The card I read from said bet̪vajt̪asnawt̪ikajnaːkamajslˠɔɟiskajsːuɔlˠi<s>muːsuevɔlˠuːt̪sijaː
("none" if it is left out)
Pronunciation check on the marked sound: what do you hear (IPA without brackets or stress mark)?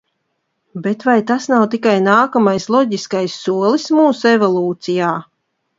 s